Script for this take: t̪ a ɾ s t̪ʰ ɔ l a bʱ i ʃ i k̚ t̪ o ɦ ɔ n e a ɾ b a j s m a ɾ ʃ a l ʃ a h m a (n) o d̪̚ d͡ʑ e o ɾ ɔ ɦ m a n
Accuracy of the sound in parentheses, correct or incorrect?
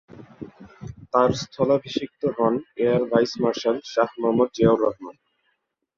incorrect